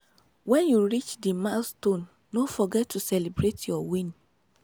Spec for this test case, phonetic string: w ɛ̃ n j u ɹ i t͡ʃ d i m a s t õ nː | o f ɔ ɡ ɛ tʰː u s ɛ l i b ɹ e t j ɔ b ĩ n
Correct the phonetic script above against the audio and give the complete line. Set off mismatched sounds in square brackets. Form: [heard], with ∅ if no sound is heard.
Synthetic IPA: w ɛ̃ n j u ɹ i t͡ʃ d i m a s t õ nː | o f ɔ ɡ ɛ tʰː u s ɛ l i b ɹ e t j ɔ [w] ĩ n